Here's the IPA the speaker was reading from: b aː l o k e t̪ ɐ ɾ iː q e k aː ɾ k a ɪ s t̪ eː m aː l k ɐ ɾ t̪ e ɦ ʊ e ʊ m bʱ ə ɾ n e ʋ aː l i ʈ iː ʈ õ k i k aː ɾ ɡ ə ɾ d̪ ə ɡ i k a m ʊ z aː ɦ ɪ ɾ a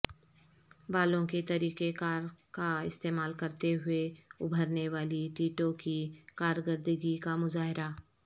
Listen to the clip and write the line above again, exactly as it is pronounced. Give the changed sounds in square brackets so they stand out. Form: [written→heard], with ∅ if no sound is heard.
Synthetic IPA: b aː l [o→õ] k e t̪ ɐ ɾ iː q e k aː ɾ k a ɪ s t̪ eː m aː l k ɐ ɾ t̪ e ɦ ʊ e ʊ [m→∅] bʱ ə ɾ n e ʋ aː l i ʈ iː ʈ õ k i k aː ɾ ɡ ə ɾ d̪ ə ɡ i k a m ʊ z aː ɦ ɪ ɾ a